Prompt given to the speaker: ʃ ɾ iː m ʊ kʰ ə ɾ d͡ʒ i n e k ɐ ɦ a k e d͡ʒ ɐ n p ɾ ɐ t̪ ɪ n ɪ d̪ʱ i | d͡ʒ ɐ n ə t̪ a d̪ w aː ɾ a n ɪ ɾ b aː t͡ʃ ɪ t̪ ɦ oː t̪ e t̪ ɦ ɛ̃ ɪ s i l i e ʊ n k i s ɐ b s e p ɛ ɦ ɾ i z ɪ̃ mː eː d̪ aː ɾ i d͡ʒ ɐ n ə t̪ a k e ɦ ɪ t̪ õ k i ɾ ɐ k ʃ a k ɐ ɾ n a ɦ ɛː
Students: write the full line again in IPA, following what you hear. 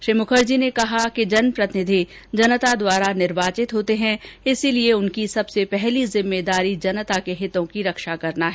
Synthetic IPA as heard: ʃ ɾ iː m ʊ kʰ ə ɾ d͡ʒ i n e k ɐ ɦ a k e d͡ʒ ɐ n p ɾ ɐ t̪ ɪ n ɪ d̪ʱ i | d͡ʒ ɐ n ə t̪ a d̪ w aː ɾ a n ɪ ɾ b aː t͡ʃ ɪ t̪ ɦ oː t̪ e ɦ ɛ̃ ɪ s i l i e ʊ n k i s ɐ b s e p ɛ ɦ l i z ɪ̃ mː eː d̪ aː ɾ i d͡ʒ ɐ n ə t̪ a k e ɦ ɪ t̪ õ k i ɾ ɐ k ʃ a k ɐ ɾ n a ɦ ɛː